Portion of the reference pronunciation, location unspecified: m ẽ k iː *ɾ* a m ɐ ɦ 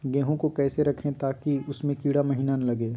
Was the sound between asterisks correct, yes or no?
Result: no